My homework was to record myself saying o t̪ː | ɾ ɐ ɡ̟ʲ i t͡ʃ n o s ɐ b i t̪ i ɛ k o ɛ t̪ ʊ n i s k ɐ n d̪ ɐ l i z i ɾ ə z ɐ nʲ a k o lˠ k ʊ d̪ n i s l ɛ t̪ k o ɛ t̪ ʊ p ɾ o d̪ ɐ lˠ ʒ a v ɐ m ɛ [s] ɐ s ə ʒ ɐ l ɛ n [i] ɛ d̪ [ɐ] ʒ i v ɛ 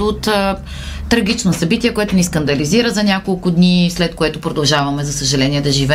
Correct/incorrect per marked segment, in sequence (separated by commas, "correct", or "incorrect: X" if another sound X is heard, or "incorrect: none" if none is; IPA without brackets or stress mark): incorrect: z, correct, correct